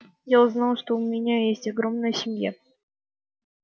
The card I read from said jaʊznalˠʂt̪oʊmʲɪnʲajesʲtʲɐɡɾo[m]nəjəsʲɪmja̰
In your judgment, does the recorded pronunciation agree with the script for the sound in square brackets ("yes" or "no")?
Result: yes